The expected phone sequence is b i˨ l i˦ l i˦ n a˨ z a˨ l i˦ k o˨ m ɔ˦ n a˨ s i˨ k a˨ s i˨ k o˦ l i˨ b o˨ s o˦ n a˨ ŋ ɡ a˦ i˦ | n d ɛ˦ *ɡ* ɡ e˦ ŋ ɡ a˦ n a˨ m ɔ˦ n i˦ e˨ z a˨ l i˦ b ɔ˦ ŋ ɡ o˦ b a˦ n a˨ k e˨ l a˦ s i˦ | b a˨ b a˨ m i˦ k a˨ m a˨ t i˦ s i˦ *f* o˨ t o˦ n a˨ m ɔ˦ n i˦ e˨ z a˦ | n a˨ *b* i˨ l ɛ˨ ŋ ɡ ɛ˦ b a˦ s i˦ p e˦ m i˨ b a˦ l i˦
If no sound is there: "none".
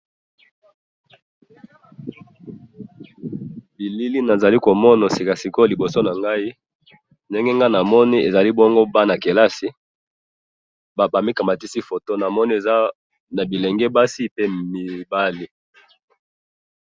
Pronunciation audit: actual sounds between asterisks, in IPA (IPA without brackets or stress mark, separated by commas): ŋ, f, b